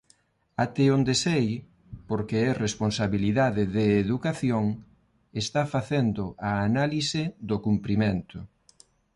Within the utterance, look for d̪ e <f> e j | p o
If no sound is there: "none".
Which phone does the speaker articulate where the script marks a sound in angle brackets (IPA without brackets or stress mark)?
s